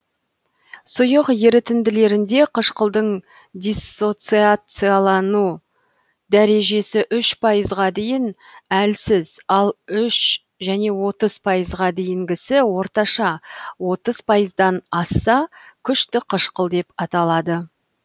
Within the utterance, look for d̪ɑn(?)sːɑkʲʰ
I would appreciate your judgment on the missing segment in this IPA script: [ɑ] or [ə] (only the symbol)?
ɑ